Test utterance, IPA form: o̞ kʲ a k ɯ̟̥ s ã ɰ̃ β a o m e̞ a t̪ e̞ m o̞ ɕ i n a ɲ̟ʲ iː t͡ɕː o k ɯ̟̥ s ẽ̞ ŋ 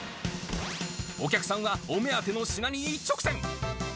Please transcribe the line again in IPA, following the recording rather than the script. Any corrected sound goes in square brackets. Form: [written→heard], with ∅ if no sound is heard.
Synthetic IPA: o̞ kʲ a k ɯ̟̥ s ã ɰ̃ β a o m e̞ a t̪ e̞ [m→n] o̞ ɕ i n a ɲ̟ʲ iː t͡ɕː o k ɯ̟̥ s ẽ̞ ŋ

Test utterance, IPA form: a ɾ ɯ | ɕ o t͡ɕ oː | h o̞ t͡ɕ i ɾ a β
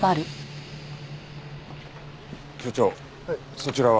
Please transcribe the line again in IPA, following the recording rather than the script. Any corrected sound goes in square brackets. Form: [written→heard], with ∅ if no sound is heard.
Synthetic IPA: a ɾ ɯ | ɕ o t͡ɕ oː | [h→s] o̞ t͡ɕ i ɾ a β

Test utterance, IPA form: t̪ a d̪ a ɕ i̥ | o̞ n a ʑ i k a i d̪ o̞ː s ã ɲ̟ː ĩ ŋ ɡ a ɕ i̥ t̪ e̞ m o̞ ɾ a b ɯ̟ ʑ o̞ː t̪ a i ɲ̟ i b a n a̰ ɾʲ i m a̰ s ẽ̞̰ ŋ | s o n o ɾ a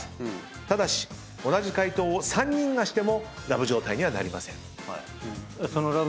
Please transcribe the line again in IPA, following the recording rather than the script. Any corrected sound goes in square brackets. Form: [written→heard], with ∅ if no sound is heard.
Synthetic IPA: t̪ a d̪ a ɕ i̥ | o̞ n a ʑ i k a i [d̪→t̪] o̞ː s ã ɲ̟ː ĩ ŋ ɡ a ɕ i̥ t̪ e̞ m o̞ ɾ a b ɯ̟ ʑ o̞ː t̪ a i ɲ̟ i [b→β] a n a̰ ɾʲ i m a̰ s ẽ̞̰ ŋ | s o n o ɾ a

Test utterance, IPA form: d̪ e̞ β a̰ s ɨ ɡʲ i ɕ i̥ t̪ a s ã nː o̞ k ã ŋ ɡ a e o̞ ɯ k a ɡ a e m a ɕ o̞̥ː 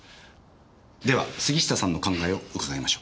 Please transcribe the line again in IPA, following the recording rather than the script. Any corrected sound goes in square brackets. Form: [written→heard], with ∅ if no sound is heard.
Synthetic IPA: d̪ e̞ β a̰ s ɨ ɡʲ i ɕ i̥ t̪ a s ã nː o̞ k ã ŋ ɡ a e o̞ ɯ k a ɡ a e m a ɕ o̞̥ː

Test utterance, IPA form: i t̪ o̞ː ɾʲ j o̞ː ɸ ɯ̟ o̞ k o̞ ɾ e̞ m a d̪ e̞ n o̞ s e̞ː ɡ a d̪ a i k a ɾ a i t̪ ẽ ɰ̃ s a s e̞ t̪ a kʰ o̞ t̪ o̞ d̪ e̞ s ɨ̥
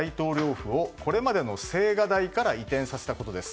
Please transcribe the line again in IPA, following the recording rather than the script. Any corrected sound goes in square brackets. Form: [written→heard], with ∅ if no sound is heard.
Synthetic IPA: i t̪ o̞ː ɾʲ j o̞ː ɸ ɯ̟ o̞ k o̞ ɾ e̞ m a d̪ e̞ n o̞ s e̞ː ɡ a d̪ a i k a ɾ a i t̪ ẽ ɰ̃ s a s e̞ t̪ a [kʰ→k] o̞ t̪ o̞ d̪ e̞ s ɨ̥

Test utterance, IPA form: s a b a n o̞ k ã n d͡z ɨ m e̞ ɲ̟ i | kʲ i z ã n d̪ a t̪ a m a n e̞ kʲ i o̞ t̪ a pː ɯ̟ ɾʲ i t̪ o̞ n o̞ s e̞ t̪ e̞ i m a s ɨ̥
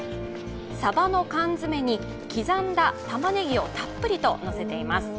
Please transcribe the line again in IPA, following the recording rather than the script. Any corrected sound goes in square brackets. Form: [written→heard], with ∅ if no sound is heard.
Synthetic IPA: s a b a n o̞ k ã n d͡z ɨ m e̞ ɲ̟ i | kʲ i z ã n d̪ a t̪ a m a n e̞ [kʲ→ɡʲ] i o̞ t̪ a pː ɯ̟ ɾʲ i t̪ o̞ n o̞ s e̞ t̪ e̞ i m a s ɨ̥

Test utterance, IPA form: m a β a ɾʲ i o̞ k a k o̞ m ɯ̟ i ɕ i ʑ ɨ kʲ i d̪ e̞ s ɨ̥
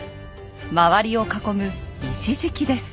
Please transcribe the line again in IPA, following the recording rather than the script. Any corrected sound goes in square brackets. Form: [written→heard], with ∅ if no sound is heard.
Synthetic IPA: m a β a ɾʲ i o̞ k a k o̞ m ɯ̟ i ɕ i ʑ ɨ kʲ i d̪ e̞ s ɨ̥

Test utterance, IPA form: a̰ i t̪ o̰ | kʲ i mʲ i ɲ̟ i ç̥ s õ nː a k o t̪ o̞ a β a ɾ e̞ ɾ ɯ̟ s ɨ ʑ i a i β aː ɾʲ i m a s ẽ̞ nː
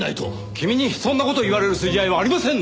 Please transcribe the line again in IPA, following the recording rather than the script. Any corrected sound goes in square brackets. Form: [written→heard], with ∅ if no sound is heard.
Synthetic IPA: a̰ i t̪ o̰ | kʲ i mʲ i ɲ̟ i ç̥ s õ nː a k o t̪ o̞ [a→i] β a ɾ e̞ ɾ ɯ̟ s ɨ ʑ i a i β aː ɾʲ i m a s ẽ̞ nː

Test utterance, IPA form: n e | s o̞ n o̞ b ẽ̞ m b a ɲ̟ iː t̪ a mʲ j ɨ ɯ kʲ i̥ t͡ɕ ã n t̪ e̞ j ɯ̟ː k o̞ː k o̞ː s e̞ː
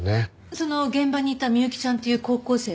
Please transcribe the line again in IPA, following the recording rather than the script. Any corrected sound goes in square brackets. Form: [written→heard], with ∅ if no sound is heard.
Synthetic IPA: n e | s o̞ n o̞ [b→ɡ] ẽ̞ m b a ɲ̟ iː t̪ a mʲ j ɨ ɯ kʲ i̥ t͡ɕ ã n t̪ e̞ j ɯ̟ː k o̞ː k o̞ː s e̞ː

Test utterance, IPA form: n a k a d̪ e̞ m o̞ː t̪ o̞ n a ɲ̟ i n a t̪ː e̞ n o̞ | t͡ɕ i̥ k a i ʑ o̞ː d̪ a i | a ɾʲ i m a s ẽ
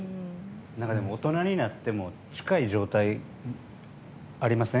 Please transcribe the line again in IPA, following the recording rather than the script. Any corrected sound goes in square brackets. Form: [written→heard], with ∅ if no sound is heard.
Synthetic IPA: n a k a d̪ e̞ m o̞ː t̪ o̞ n a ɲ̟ i n a t̪ː e̞ [n→m] o̞ | t͡ɕ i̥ k a i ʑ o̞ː [d̪→t̪] a i | a ɾʲ i m a s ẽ

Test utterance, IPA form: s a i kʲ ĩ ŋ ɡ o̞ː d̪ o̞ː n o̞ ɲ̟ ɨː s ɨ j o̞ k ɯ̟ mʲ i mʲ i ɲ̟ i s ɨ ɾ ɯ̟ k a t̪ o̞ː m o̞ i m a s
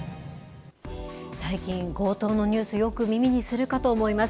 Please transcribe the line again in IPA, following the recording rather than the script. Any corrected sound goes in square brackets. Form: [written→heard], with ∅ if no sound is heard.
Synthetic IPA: s a i kʲ ĩ ŋ ɡ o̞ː [d̪→t̪] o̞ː n o̞ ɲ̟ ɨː s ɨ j o̞ k ɯ̟ mʲ i mʲ i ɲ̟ i s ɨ ɾ ɯ̟ k a t̪ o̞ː m o̞ i m a s

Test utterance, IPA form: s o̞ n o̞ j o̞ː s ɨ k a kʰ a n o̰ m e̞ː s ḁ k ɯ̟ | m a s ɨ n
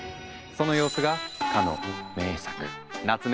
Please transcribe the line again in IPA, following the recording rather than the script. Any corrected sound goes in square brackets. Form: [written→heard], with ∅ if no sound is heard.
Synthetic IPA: s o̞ n o̞ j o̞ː s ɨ [k→ɡ] a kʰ a n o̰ m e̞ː s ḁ k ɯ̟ | [m→n] a [s→t͡s] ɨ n

